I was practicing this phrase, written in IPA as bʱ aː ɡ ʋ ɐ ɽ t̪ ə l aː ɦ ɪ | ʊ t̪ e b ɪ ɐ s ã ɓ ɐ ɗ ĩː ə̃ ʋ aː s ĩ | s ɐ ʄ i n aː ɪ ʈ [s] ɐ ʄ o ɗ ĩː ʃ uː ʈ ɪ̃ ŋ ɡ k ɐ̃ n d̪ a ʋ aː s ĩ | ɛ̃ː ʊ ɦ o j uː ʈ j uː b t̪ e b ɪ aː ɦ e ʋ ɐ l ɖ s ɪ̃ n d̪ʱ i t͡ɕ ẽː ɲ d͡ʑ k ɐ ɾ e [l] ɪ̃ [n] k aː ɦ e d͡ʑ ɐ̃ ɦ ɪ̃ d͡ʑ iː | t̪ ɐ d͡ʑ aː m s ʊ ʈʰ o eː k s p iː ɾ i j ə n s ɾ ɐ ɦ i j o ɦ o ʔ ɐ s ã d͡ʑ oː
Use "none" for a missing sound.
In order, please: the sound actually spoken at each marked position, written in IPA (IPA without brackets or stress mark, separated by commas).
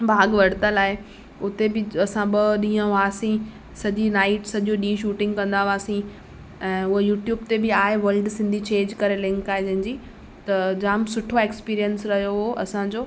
s, l, ŋ